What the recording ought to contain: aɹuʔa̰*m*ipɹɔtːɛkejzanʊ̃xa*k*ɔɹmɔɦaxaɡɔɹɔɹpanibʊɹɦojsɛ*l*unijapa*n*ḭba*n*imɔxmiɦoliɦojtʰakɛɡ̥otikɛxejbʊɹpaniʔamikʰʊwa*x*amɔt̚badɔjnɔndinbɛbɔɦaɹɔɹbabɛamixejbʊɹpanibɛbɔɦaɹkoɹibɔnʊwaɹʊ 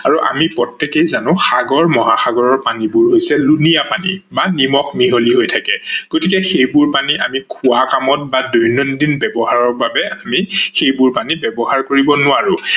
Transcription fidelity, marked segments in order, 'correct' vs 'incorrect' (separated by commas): correct, incorrect, correct, correct, correct, incorrect